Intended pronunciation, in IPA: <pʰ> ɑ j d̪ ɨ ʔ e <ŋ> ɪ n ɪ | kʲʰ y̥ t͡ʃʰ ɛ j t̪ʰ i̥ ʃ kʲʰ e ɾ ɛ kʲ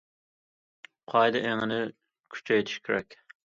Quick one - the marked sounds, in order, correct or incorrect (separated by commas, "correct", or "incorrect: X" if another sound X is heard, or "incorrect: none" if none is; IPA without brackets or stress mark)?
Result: incorrect: qʰ, correct